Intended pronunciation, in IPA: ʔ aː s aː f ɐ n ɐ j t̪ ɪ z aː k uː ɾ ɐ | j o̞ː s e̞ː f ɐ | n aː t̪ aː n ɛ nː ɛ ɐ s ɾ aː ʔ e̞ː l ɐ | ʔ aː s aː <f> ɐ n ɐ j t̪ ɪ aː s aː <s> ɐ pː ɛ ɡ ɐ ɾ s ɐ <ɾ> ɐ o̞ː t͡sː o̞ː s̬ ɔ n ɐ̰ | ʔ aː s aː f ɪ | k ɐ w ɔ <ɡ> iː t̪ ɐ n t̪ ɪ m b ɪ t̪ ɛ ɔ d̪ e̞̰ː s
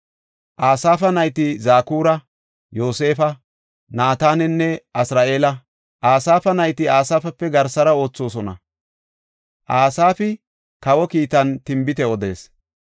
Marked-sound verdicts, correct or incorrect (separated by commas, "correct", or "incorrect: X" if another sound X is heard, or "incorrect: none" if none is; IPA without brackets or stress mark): correct, incorrect: f, correct, incorrect: k